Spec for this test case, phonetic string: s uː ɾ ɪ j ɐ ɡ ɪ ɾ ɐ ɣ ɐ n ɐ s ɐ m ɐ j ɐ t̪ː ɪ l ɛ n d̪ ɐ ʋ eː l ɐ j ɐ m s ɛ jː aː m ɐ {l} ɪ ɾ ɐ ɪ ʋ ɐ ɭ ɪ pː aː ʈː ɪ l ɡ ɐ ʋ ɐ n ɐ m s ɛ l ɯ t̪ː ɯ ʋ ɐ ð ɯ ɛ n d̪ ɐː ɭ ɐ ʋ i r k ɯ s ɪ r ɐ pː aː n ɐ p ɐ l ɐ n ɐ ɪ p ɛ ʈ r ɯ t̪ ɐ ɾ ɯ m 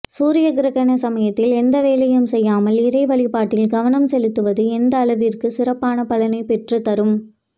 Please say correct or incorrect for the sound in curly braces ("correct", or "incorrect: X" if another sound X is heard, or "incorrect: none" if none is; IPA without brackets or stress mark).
correct